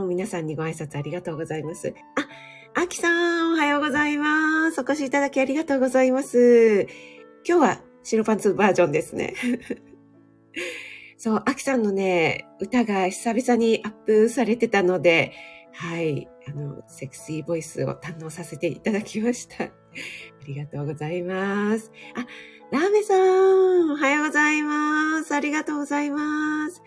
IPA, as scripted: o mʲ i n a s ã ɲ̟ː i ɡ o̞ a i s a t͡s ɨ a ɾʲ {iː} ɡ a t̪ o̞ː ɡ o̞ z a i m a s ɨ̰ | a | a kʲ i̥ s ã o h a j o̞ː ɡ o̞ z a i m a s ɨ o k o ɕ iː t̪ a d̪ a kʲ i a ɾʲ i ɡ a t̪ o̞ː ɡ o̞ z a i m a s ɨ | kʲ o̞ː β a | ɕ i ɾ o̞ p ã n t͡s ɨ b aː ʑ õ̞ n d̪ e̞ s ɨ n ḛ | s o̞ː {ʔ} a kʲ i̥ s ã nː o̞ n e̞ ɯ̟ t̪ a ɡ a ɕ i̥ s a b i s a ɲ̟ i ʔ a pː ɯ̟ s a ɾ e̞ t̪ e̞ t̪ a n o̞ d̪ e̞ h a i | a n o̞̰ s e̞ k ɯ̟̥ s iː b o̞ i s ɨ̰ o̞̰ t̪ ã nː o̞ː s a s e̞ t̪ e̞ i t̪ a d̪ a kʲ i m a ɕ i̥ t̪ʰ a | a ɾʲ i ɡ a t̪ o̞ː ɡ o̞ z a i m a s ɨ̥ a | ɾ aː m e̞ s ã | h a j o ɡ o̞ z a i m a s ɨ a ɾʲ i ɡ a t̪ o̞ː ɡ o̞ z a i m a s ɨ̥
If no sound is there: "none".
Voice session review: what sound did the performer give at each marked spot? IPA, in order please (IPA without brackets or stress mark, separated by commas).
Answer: i, ʔ